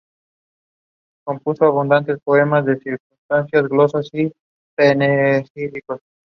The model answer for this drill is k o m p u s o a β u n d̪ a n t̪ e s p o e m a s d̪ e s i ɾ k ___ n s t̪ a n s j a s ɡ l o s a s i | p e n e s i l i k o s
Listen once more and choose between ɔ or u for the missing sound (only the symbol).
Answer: u